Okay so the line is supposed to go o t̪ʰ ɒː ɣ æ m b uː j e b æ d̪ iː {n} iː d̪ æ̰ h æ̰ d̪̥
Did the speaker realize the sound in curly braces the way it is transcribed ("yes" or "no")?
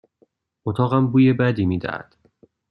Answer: no